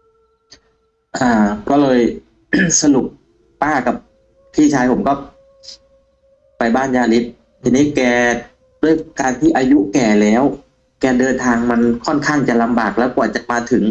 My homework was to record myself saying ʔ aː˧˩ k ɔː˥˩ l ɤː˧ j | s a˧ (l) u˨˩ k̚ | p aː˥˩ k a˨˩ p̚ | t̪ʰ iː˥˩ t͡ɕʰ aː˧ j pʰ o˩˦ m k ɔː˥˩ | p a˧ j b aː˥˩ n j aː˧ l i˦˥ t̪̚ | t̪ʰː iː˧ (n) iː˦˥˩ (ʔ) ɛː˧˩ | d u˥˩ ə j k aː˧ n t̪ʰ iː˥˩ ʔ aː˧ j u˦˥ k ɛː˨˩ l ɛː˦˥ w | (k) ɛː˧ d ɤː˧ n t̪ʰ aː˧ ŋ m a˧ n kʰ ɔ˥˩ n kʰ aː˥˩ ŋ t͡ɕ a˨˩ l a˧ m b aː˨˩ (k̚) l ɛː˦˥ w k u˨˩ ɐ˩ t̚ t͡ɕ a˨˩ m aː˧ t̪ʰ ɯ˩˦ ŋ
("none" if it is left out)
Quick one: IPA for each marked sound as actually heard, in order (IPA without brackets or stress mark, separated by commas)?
l, n, k, k, k̚